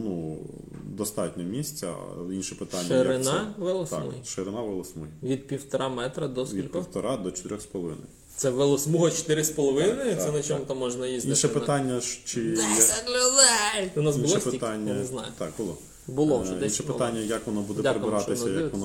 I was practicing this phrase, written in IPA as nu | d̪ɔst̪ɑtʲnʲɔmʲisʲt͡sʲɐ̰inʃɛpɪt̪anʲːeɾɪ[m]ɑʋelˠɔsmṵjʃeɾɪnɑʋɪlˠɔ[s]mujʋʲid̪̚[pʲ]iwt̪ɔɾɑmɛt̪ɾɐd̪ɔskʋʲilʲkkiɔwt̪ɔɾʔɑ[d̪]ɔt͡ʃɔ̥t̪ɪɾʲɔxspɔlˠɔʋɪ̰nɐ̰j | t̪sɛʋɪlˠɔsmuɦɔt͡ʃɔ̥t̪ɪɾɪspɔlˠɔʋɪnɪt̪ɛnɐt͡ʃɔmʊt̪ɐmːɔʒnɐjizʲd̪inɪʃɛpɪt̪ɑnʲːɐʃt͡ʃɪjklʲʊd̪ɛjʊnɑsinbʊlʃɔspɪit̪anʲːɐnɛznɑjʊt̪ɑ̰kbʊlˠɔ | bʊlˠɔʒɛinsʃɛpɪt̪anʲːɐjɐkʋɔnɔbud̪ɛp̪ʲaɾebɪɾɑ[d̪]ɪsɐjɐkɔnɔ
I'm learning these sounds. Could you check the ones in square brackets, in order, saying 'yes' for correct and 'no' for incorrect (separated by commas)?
no, yes, yes, yes, no